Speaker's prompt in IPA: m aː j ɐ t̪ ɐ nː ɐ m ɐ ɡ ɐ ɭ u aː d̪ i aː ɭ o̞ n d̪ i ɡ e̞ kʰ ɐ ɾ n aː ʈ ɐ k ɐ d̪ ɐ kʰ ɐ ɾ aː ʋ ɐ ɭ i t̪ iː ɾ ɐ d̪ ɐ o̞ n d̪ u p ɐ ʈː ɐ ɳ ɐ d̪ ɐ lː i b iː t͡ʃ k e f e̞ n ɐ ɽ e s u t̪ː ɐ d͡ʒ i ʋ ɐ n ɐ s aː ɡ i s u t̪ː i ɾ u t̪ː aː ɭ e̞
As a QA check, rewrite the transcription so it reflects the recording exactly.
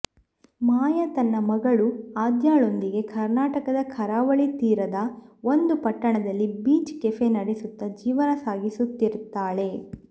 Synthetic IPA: m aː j ɐ t̪ ɐ nː ɐ m ɐ ɡ ɐ ɭ u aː d̪ j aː ɭ o̞ n d̪ i ɡ e̞ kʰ ɐ ɾ n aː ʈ ɐ k ɐ d̪ ɐ kʰ ɐ ɾ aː ʋ ɐ ɭ i t̪ iː ɾ ɐ d̪ ɐ o̞ n d̪ u p ɐ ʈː ɐ ɳ ɐ d̪ ɐ lː i b iː t͡ʃ k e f e̞ n ɐ ɽ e s u t̪ː ɐ d͡ʒ iː ʋ ɐ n ɐ s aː ɡ i s u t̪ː i ɾ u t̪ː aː ɭ e̞